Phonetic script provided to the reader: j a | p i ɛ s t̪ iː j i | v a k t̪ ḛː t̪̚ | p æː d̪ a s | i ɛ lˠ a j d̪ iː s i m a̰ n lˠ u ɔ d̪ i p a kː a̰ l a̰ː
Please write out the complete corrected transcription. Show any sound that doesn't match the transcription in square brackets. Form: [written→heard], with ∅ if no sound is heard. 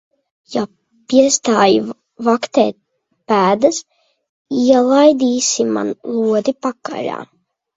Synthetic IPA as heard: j a | p i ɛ s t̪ [iː→aː] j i | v a k t̪ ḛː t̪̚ | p æː d̪ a s | i ɛ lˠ a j d̪ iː s i m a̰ n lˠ u ɔ d̪ i p a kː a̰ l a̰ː

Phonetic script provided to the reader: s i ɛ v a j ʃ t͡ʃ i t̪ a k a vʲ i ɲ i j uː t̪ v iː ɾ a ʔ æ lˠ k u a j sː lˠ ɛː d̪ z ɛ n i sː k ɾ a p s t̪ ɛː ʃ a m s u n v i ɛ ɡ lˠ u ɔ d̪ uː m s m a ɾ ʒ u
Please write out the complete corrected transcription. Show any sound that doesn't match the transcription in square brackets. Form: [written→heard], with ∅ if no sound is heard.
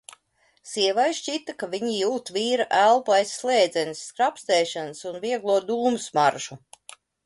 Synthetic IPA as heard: s i ɛ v a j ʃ t͡ʃ i t̪ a k a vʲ i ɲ i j uː t̪ v iː ɾ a ʔ æ lˠ [k→p] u a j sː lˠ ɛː d̪ z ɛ n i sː k ɾ a p s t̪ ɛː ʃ a [m→n] s u n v i ɛ ɡ lˠ u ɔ d̪ uː m s m a ɾ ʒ u

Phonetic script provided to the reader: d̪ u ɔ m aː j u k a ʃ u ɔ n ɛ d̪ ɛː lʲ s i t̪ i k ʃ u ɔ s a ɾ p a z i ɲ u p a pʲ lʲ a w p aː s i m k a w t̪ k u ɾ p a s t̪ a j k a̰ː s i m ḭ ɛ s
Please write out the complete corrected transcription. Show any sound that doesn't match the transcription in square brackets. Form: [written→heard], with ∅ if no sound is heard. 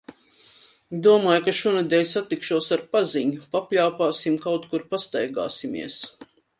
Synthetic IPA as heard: d̪ u ɔ m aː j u k a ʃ u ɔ n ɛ d̪ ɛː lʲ s [i→a] t̪ i k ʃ u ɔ s a ɾ p a z i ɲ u p a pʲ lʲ a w p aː s i m k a w t̪ k u ɾ p a s t̪ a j [k→ɡ] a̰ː s i m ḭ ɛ s

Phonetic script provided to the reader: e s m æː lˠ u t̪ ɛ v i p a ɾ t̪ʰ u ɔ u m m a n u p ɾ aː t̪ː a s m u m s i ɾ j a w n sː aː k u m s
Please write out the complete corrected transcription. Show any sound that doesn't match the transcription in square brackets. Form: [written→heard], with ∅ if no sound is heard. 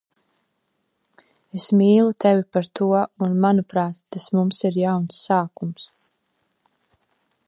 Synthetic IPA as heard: e s m [æː→iː] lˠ u t̪ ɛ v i p a ɾ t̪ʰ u ɔ u [m→n] m a n u p ɾ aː t̪ː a s m u m s i ɾ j a w n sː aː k u m s

